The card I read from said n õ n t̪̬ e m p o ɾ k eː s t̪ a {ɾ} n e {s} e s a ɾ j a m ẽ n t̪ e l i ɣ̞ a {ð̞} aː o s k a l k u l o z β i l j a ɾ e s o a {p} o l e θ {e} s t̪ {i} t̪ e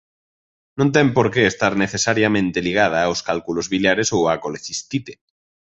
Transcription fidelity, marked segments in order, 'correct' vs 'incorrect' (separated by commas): correct, incorrect, correct, incorrect, incorrect, correct